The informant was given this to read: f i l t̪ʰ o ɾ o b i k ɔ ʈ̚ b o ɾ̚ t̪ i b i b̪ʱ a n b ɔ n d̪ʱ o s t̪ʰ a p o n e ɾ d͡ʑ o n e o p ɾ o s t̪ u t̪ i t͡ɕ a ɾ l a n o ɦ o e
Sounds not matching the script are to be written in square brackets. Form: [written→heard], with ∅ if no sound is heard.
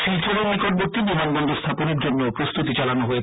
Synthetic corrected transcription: [f→ʃ] i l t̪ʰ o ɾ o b i k [ɔ→o] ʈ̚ b o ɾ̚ t̪ i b i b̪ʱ a n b ɔ n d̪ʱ o s t̪ʰ a p o n e ɾ d͡ʑ o [n→nː] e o p ɾ o s t̪ u t̪ i t͡ɕ a [ɾ→∅] l a n o ɦ o e

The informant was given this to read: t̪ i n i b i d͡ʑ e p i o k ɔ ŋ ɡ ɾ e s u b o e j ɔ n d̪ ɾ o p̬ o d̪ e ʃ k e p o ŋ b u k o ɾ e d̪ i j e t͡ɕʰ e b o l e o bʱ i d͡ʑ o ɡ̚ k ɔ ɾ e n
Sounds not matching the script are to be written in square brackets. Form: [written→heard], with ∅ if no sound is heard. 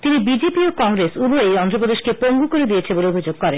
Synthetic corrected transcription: t̪ i n i b i d͡ʑ e p i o k ɔ ŋ ɡ ɾ e s u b o e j ɔ n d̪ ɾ o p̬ o d̪ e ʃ k e p o ŋ [b→ɡ] u k o ɾ e d̪ i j e t͡ɕʰ e b o l e o bʱ i d͡ʑ o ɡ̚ k ɔ ɾ e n

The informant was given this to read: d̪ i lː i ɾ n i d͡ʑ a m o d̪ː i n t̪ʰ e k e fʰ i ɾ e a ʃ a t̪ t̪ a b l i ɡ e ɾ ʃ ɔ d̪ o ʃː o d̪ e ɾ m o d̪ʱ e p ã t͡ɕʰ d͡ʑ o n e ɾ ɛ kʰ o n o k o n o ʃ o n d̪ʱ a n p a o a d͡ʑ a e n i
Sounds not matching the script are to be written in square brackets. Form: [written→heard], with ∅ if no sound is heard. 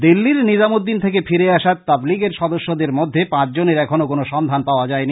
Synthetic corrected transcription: d̪ i lː i ɾ n i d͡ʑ a m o d̪ː i n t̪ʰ e k e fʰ i ɾ e a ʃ a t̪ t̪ a b l i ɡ e ɾ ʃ ɔ d̪ o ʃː o d̪ e ɾ m o [d̪ʱ→d̪ʱː] e p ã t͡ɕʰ d͡ʑ o n e ɾ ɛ kʰ o n o k o n o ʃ [o→ɔ] n d̪ʱ a n p a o a d͡ʑ a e n i

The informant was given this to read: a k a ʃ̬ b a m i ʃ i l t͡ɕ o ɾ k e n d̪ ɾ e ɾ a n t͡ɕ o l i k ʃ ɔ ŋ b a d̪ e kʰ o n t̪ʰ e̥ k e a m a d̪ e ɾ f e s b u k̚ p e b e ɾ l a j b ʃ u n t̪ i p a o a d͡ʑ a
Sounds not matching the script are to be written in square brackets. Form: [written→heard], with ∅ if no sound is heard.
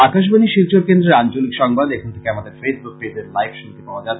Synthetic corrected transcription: a k a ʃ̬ b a [m→n] i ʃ i l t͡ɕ o ɾ k e n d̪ ɾ e ɾ a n t͡ɕ o l i k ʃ ɔ ŋ b a d̪ e kʰ o n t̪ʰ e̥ k e a m a d̪ e ɾ f e s b u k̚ p e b e ɾ l a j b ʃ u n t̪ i p a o a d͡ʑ a

